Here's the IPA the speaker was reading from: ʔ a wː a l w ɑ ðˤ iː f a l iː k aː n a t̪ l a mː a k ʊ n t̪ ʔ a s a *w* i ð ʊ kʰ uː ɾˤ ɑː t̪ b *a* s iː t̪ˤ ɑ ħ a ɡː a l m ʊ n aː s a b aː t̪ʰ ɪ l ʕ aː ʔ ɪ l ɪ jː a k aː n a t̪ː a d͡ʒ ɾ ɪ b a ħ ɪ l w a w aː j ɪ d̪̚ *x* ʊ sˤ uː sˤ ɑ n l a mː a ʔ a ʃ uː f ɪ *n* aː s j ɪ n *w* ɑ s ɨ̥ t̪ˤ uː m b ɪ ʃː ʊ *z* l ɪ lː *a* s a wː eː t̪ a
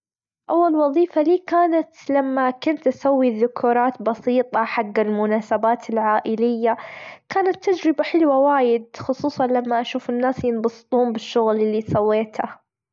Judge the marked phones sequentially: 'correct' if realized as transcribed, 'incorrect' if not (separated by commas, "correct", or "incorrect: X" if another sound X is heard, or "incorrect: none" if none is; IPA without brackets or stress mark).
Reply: incorrect: wː, incorrect: ɑ, correct, incorrect: nː, incorrect: b, incorrect: ɣ, incorrect: i